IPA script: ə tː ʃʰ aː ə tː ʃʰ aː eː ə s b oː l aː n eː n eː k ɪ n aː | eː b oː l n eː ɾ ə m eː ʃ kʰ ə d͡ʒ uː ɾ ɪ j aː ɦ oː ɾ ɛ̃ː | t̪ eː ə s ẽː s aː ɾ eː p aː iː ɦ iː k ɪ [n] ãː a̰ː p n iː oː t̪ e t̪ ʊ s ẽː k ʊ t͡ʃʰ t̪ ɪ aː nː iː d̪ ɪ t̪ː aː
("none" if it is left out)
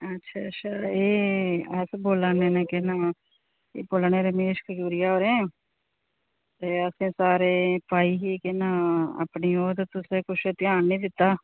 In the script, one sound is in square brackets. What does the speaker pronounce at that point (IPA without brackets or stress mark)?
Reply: n